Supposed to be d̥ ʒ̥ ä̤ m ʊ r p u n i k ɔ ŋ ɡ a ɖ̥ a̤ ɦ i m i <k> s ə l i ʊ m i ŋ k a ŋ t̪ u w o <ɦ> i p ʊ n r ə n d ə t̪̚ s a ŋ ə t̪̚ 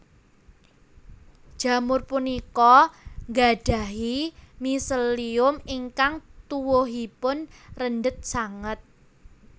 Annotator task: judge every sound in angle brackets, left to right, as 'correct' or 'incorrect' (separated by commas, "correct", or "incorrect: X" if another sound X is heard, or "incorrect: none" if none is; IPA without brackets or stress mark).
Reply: incorrect: none, correct